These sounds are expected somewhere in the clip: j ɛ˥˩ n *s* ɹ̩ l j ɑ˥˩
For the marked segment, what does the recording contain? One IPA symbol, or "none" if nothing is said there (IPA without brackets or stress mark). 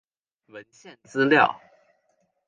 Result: t͡s